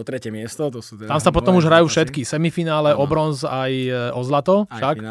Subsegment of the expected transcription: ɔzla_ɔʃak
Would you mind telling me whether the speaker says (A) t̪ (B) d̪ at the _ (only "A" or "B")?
A